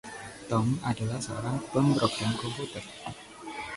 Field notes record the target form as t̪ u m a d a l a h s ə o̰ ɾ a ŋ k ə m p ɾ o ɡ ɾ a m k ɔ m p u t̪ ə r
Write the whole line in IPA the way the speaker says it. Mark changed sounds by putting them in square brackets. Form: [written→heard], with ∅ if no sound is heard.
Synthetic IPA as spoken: t̪ [u→ɔ] m a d a l a h s ə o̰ ɾ a ŋ [k→p] ə m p ɾ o ɡ ɾ a m k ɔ m p u t̪ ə r